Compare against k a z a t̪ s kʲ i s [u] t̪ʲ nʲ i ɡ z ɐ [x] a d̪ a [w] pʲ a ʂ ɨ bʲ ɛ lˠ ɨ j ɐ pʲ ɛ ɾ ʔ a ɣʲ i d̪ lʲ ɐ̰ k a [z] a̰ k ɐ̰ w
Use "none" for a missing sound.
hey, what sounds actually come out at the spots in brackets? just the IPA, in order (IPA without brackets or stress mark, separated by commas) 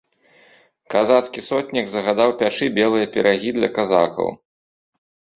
ɔ, ɣ, w, z